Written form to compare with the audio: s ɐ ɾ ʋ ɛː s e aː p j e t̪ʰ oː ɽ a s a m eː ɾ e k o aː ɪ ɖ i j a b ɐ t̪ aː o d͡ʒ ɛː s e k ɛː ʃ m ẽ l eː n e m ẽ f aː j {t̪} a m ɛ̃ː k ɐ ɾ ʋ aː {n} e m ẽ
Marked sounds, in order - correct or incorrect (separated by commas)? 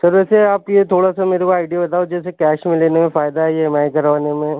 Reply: incorrect, correct